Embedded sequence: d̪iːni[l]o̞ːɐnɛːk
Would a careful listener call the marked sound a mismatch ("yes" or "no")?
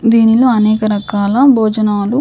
no